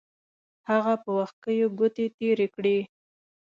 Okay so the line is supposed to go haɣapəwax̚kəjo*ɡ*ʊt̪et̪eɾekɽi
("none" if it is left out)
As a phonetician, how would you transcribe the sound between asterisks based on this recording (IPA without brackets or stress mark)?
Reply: ɡ